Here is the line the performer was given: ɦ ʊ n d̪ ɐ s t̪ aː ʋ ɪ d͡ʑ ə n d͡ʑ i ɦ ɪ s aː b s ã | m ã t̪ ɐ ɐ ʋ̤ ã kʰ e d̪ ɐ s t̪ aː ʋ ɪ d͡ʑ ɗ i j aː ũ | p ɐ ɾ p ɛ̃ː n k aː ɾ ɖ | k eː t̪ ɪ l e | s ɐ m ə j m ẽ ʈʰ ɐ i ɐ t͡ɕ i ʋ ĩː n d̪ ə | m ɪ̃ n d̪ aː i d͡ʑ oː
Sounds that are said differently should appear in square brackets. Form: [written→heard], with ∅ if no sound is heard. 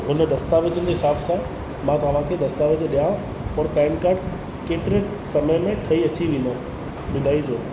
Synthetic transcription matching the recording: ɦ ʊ n d̪ ɐ s t̪ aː ʋ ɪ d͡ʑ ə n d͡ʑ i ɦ ɪ s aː b s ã | m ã t̪ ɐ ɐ ʋ̤ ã kʰ e d̪ ɐ s t̪ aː ʋ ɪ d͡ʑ ɗ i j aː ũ | p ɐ ɾ p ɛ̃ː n k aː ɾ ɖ | k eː t̪ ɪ [l→ɾ] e | s ɐ m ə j m ẽ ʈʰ ɐ i ɐ t͡ɕ i ʋ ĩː n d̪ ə | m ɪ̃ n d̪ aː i d͡ʑ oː